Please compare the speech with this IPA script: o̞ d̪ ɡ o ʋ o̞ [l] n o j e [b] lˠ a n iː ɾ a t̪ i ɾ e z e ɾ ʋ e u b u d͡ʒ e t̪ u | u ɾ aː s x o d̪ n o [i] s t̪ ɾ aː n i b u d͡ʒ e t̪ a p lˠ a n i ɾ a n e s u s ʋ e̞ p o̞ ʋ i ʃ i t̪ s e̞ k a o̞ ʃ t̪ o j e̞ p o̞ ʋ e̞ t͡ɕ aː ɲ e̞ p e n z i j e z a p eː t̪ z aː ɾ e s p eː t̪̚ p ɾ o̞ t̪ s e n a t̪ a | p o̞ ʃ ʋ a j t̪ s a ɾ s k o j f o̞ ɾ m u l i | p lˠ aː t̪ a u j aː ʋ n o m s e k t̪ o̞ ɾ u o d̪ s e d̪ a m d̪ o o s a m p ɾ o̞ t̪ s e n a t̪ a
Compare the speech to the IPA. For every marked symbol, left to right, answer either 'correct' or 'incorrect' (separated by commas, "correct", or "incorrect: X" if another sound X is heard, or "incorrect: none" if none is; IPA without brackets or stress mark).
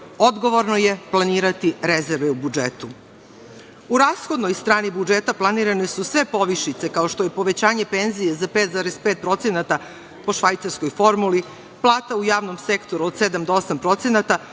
incorrect: ɾ, incorrect: p, incorrect: j